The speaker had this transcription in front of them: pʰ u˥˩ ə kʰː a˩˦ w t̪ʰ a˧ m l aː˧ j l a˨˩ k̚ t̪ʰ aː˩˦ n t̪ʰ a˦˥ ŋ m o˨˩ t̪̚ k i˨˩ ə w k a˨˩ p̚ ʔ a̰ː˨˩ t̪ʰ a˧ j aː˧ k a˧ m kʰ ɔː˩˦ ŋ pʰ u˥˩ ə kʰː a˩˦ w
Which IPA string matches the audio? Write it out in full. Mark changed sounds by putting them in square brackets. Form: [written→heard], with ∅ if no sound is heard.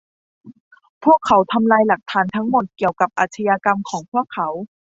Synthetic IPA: pʰ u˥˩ ə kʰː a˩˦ w t̪ʰ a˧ m l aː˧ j l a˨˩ k̚ t̪ʰ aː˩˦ n t̪ʰ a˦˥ ŋ m o˨˩ t̪̚ k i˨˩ ə w k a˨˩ p̚ ʔ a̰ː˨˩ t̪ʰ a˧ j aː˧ k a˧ m kʰ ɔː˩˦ ŋ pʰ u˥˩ ə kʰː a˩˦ w